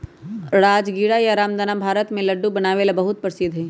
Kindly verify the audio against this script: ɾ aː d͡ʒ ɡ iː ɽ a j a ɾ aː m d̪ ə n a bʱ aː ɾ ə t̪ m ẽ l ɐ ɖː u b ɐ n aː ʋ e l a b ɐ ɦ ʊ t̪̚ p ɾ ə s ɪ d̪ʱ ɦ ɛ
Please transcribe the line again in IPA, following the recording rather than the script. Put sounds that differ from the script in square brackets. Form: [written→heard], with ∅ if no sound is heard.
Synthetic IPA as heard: ɾ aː d͡ʒ ɡ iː ɽ a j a ɾ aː m d̪ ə n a bʱ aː ɾ ə t̪ m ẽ l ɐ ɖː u b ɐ n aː ʋ e l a b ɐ ɦ ʊ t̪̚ p ɾ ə s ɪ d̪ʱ ɦ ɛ